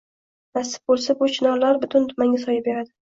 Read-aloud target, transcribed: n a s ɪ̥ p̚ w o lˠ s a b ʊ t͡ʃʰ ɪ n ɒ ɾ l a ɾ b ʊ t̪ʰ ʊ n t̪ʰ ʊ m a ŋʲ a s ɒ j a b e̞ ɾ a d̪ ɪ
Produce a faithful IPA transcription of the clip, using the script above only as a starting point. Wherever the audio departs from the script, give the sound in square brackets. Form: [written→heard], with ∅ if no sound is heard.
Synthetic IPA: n a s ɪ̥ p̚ [w→b] o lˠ s a b ʊ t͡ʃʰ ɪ n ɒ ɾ l a ɾ b ʊ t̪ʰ ʊ n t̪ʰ ʊ m a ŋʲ a s ɒ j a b e̞ ɾ a d̪ ɪ